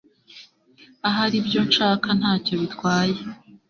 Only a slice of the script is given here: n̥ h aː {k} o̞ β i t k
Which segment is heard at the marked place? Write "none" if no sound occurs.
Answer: c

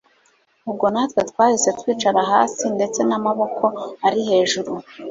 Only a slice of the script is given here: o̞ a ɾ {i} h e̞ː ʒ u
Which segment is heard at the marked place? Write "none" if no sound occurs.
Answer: i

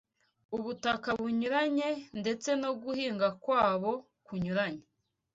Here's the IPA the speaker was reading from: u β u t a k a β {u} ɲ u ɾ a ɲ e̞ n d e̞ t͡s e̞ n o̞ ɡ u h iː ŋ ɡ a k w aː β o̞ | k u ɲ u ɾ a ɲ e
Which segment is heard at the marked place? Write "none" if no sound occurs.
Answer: u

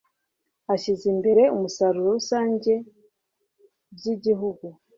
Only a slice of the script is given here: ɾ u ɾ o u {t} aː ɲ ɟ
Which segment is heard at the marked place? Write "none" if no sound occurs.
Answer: s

